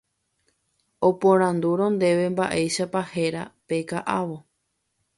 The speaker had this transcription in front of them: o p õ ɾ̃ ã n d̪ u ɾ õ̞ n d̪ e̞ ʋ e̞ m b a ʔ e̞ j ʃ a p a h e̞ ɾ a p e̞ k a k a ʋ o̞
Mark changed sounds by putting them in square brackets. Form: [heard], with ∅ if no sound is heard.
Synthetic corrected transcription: o p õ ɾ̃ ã n d̪ u ɾ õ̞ n d̪ e̞ ʋ e̞ m b a ʔ e̞ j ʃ a p a h e̞ ɾ a p e̞ k a [ʔ] a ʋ o̞

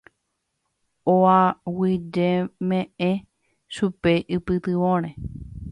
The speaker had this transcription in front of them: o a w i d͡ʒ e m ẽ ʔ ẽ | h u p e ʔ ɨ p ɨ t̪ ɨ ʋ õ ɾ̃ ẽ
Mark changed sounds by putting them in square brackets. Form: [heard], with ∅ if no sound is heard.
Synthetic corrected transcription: o a w i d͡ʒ e m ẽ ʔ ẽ | [ʃ] u p e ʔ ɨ p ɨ t̪ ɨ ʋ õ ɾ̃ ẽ

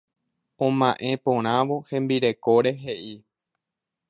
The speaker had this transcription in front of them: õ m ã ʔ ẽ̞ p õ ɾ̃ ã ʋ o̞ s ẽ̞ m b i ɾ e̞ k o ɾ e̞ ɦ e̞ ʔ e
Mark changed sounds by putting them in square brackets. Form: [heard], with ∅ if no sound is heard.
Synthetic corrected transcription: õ m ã ʔ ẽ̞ p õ ɾ̃ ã ʋ o̞ [h] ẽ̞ m b i ɾ e̞ k o ɾ e̞ ɦ e̞ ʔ [i]

